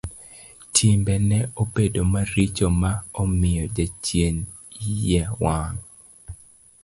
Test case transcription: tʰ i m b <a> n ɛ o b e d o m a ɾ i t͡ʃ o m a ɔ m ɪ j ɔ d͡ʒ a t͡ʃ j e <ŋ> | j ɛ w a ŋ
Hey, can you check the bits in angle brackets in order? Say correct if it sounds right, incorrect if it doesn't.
incorrect, incorrect

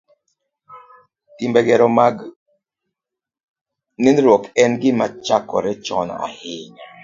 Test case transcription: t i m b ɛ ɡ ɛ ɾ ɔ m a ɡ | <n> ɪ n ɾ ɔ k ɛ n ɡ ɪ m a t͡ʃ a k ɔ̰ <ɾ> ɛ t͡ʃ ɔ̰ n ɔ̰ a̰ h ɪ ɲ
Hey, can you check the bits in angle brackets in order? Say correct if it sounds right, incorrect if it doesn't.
correct, correct

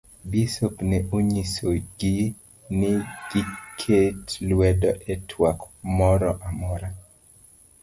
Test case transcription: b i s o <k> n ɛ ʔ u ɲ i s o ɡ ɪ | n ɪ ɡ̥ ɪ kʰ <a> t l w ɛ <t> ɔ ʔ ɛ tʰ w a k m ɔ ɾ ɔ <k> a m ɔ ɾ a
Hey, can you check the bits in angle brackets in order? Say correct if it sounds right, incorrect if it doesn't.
incorrect, incorrect, incorrect, incorrect

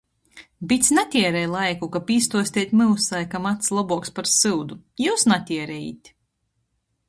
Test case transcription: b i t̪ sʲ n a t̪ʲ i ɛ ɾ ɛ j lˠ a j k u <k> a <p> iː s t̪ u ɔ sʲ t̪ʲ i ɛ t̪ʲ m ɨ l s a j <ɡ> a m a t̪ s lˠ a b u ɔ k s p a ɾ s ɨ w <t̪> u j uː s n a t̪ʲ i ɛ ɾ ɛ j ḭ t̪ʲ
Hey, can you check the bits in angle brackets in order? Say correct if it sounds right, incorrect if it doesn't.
correct, correct, incorrect, incorrect

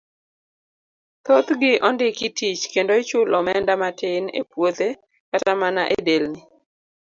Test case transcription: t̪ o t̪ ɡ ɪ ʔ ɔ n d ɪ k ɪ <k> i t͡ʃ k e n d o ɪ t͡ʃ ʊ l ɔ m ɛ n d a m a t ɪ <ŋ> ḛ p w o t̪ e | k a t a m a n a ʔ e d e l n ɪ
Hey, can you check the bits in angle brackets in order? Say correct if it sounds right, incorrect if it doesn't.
incorrect, incorrect

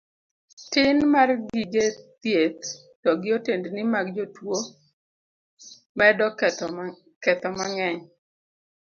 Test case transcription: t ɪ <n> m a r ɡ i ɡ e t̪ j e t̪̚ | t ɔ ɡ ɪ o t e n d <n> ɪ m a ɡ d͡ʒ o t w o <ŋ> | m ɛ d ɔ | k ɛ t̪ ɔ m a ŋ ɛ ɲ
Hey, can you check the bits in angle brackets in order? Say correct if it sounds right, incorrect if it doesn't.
correct, correct, incorrect

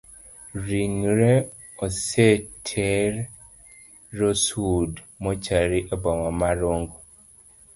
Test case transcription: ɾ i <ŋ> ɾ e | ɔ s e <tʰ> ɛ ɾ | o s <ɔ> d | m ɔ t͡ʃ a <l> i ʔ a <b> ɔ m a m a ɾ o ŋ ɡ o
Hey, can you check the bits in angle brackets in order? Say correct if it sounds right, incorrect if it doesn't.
correct, correct, incorrect, incorrect, correct

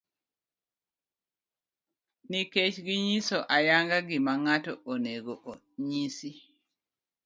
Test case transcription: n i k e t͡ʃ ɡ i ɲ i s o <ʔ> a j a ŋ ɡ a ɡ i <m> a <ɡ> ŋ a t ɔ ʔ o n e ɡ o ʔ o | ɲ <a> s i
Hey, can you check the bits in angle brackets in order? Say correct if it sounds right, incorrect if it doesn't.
correct, correct, incorrect, incorrect

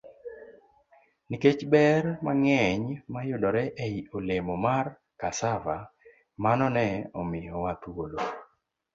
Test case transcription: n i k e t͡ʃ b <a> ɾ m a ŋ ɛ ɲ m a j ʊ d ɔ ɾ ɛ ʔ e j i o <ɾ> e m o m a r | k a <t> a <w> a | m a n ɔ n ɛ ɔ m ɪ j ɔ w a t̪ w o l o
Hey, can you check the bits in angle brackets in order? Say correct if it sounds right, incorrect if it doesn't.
incorrect, incorrect, incorrect, incorrect

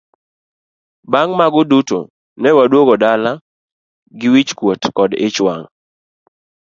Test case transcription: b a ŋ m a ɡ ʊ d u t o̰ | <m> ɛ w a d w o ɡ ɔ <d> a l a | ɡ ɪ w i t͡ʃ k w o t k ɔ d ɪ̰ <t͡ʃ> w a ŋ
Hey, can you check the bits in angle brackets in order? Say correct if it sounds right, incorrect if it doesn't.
incorrect, correct, correct

